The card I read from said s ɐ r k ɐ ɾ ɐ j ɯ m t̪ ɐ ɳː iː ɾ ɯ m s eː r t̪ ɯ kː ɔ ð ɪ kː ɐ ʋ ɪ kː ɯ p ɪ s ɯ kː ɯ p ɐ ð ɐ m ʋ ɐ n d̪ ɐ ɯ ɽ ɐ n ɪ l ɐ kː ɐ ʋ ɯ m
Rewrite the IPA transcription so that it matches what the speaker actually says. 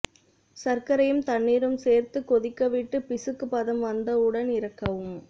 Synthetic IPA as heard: s ɐ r k ɐ ɾ ɐ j ɯ m t̪ ɐ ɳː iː ɾ ɯ m s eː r t̪ ɯ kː ɔ ð ɪ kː ɐ ʋ ɪ ʈː ɯ p ɪ s ɯ kː ɯ p ɐ ð ɐ m ʋ ɐ n d̪ ɐ ɯ ɽ ɐ n ɪ ɾ ɐ kː ɐ ʋ ɯ m